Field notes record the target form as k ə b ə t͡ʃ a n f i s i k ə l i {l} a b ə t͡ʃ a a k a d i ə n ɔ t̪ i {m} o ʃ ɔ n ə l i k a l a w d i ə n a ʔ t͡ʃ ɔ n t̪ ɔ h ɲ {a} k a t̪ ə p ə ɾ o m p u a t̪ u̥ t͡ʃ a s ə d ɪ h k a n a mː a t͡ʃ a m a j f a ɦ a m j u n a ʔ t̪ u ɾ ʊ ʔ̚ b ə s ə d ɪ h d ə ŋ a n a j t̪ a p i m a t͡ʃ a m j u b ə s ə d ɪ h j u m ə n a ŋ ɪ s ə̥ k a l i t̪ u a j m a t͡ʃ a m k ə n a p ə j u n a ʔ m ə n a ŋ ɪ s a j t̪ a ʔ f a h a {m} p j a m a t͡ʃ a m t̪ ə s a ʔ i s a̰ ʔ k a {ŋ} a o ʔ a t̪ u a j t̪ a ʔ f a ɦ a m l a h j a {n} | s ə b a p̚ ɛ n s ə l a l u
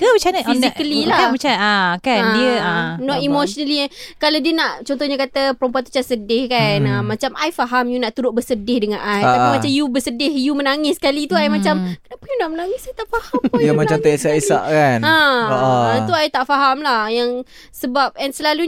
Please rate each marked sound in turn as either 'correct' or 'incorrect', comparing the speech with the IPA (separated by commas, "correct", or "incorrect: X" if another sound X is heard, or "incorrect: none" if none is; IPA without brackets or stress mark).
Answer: correct, correct, correct, correct, incorrect: n, incorrect: ŋ